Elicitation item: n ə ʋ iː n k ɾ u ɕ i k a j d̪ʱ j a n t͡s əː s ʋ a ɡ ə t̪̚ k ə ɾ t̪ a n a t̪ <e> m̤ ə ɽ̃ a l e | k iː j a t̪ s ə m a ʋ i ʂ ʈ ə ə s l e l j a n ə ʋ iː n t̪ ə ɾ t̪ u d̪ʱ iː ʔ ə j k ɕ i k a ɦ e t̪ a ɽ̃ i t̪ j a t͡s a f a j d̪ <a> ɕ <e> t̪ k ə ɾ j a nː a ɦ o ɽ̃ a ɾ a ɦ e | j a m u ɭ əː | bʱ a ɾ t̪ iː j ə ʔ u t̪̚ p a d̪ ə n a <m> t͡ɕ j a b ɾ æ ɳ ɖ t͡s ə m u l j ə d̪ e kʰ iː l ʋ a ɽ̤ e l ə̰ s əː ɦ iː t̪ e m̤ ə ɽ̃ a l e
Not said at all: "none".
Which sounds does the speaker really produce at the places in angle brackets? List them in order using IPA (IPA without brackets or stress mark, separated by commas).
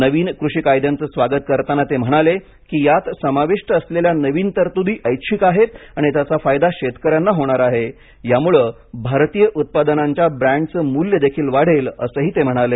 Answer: e, a, e, ɲ